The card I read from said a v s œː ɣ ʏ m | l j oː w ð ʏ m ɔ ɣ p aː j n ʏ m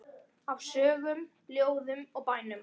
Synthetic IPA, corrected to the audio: a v s œː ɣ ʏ m | l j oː w ð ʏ m ɔ ɣ p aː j n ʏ m